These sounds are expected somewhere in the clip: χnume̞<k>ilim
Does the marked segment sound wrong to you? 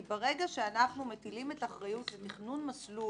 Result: yes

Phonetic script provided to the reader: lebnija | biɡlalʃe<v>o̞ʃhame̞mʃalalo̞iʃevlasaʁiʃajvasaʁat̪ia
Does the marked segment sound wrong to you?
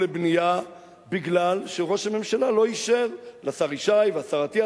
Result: yes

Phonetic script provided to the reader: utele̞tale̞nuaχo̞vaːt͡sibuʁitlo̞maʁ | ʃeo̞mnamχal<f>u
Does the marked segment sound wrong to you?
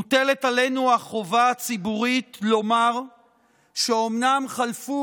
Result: no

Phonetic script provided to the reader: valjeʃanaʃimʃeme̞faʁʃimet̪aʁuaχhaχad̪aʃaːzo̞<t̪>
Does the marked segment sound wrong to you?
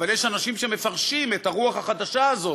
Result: yes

